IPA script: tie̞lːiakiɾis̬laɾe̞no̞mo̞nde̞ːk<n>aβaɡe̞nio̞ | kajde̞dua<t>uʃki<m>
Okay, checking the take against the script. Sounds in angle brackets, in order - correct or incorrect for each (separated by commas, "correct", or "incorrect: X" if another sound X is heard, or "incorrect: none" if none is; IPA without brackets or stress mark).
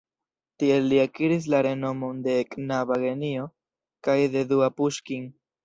correct, incorrect: p, incorrect: ŋ